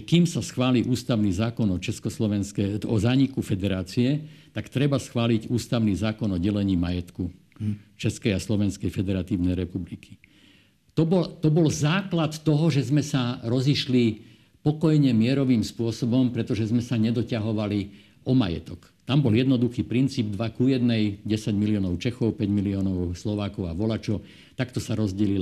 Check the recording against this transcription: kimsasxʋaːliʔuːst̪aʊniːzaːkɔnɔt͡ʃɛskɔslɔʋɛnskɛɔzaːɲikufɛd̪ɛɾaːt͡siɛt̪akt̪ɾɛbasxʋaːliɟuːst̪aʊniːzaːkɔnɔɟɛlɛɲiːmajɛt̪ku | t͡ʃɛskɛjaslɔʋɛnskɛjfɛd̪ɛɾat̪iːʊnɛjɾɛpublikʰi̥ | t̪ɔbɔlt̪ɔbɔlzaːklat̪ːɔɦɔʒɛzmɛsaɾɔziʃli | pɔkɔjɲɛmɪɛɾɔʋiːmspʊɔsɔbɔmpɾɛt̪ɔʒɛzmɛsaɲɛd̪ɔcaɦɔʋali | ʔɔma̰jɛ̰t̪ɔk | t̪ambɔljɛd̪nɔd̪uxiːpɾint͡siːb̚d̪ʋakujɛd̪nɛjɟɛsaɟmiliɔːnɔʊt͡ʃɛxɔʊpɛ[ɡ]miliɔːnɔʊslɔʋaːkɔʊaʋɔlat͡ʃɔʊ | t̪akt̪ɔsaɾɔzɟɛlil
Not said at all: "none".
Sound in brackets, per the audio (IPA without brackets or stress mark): ɟ